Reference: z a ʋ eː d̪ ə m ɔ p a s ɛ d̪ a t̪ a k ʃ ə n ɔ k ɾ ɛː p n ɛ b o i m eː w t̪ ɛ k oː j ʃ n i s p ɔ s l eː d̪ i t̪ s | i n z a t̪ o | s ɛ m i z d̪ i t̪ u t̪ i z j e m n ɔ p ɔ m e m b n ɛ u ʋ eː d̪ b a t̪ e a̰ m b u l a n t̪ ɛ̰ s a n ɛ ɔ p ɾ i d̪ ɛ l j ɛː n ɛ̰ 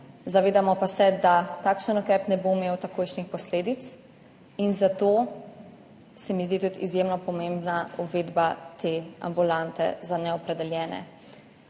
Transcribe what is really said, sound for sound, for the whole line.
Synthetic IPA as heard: z a ʋ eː d̪ a m ɔ p a s ɛ d̪ a t̪ a k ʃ ə n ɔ k ɾ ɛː p n ɛ b o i m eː w t̪ a k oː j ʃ n i x p ɔ s l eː d̪ i t̪ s | i n z a t̪ o | s ɛ m i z d̪ i t̪ u t̪ i z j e m n ɔ p ɔ m e m b n a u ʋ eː d̪ b a t̪ e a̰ m b u l a n t̪ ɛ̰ z a n ɛ ɔ p ɾ ɛ d̪ ɛ l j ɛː n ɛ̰